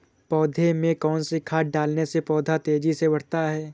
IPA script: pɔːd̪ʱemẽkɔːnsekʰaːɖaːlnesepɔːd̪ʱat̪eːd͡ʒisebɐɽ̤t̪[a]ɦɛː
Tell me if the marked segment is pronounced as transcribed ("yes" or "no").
yes